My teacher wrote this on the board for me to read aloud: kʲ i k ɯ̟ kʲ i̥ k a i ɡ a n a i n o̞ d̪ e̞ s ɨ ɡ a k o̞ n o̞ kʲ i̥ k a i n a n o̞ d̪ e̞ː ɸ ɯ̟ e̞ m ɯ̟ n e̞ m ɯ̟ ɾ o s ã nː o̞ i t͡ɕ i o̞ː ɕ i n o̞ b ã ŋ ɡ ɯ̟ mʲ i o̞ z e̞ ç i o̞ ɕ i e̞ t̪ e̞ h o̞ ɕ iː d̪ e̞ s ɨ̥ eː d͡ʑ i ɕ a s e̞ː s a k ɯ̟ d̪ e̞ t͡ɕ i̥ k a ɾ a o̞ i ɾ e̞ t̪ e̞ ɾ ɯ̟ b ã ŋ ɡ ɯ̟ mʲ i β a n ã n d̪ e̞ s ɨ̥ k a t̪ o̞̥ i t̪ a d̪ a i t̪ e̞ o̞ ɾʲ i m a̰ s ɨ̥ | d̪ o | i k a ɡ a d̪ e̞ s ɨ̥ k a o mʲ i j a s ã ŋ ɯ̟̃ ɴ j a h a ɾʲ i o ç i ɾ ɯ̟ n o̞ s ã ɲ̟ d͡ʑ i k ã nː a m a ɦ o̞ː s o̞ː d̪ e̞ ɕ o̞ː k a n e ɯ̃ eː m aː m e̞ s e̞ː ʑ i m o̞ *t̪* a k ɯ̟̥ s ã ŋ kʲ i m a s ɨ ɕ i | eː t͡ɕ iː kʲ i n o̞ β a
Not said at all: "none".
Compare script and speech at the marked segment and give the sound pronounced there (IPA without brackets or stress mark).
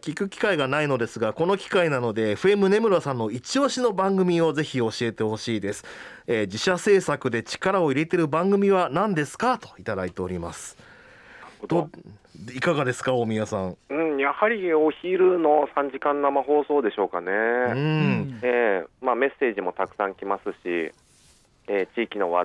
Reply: t̪